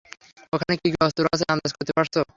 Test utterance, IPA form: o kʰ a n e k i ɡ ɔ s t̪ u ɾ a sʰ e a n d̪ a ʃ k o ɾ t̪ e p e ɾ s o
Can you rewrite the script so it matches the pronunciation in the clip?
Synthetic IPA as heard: o kʰ a n e k i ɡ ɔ s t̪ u ɾ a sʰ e a n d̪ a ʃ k o ɾ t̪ e p a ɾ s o